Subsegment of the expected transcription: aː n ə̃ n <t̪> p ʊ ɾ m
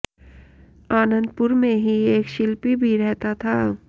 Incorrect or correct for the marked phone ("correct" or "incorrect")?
incorrect